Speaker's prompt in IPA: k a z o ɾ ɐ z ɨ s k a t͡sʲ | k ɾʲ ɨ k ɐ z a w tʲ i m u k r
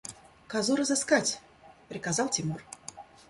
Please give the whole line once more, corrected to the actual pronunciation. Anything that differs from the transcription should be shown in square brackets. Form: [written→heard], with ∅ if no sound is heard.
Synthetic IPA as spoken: k a z [o→u] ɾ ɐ z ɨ s k a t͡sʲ | [k→p] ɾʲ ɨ k [ɐ→a] z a w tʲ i m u [k→∅] r